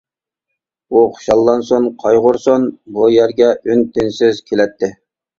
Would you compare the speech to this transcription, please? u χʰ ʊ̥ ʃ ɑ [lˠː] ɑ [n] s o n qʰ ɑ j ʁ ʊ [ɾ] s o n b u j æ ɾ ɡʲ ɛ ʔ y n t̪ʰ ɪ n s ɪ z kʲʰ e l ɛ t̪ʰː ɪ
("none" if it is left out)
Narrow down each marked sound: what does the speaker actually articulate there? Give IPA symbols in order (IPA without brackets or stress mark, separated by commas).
lˠː, n, ɾ